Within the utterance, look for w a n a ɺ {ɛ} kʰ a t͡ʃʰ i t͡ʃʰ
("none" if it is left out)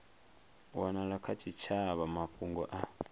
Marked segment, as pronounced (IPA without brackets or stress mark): a